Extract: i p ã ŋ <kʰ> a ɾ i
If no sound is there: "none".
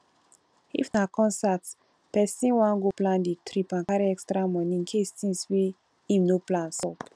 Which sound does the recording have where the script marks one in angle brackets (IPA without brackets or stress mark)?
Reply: k